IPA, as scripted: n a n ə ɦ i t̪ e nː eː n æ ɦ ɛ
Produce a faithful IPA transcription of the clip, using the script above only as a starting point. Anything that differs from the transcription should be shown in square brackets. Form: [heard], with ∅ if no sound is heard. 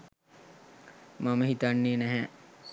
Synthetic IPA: [m] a [m] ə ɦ i t̪ [a] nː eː n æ ɦ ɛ